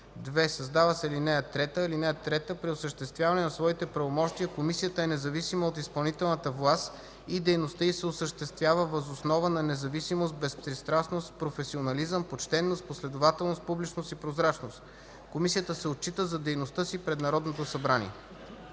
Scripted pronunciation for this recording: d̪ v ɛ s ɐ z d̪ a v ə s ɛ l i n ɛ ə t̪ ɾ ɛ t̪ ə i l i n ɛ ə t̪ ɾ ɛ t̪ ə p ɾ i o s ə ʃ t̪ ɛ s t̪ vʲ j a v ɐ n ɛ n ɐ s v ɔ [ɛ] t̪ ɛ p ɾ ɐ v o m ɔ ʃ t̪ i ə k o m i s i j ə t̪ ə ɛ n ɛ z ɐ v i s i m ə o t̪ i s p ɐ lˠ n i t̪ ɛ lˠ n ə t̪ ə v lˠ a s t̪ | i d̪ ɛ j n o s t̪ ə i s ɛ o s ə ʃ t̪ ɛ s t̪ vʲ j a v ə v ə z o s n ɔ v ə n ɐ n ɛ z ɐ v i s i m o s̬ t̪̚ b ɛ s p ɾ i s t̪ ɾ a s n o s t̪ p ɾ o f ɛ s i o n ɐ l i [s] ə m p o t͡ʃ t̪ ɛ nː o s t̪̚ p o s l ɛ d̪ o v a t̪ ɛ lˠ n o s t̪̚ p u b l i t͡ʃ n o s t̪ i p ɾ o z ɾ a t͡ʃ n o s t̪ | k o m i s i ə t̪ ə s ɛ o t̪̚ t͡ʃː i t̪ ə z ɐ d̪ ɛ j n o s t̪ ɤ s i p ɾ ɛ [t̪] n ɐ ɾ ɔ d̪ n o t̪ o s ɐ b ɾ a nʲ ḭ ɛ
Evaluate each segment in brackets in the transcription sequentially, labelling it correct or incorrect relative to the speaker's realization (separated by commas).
incorrect, incorrect, incorrect